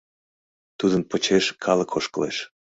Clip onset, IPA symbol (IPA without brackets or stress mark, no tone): t̪